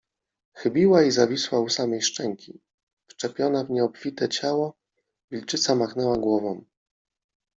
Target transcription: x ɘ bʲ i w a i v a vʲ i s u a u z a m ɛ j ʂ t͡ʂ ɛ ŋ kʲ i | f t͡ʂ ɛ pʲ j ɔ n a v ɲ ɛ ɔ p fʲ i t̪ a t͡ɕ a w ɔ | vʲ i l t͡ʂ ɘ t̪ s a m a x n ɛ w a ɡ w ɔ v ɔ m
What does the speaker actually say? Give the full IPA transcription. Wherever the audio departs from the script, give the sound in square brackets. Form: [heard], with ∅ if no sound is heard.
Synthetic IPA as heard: x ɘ bʲ i w a i [z] a vʲ i s [w] a u [s] a m ɛ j ʂ t͡ʂ ɛ ŋ kʲ i | f t͡ʂ ɛ pʲ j ɔ n a v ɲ ɛ ɔ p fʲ i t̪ [ɛ] t͡ɕ a w ɔ | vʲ i l t͡ʂ ɘ t̪ s a m a x n ɛ w a ɡ w ɔ v ɔ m